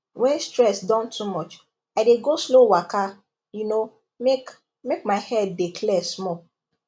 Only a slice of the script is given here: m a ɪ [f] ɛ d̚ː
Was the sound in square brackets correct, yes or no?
no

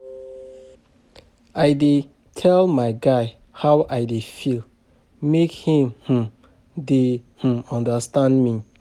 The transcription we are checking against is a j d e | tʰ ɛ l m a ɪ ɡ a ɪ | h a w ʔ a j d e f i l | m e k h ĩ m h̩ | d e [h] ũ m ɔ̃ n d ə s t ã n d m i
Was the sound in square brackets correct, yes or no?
yes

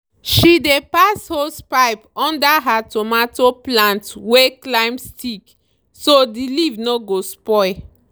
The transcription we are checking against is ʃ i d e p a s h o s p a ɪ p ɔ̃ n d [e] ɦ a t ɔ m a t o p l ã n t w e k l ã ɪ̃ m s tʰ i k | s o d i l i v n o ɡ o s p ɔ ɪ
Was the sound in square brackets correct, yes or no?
no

